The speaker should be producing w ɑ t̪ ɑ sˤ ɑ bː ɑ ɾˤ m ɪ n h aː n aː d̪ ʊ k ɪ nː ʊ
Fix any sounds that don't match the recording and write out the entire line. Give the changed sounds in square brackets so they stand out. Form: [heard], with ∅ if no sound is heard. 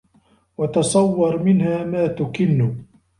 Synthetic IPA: w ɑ t̪ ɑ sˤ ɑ [wː] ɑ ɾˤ m ɪ n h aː [m] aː [t̪] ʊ k ɪ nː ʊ